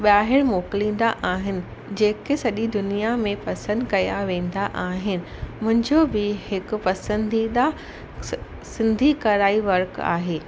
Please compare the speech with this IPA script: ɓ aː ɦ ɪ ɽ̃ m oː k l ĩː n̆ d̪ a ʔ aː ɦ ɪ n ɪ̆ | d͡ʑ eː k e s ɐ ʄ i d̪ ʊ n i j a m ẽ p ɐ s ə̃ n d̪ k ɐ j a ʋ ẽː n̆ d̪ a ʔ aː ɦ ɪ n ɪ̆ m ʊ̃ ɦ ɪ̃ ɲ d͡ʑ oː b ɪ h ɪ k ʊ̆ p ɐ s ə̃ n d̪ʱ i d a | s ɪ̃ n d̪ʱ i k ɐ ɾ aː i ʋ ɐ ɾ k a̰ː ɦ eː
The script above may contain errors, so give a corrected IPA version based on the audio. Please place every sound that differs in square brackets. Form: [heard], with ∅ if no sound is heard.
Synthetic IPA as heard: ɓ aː ɦ ɪ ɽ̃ m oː k l ĩː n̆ d̪ a ʔ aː ɦ ɪ n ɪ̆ | d͡ʑ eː k e s ɐ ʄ i d̪ ʊ n i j a m ẽ p ɐ s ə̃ n d̪ k ɐ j a ʋ ẽː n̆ d̪ a ʔ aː ɦ ɪ n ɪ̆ m ʊ̃ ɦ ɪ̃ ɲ d͡ʑ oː b ɪ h ɪ k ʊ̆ p ɐ s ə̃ n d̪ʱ i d a | s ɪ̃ n d̪ʱ i k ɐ ɾ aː i ʋ ɐ ɾ k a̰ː ɦ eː